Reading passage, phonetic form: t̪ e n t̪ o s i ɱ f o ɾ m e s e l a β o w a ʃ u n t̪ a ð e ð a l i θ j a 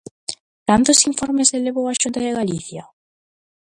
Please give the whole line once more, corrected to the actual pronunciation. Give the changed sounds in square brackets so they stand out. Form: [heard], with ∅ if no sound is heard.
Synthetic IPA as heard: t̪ [a] n t̪ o s i ɱ f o ɾ m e s e l [e] β o w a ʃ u n t̪ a ð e [ɣ] a l i θ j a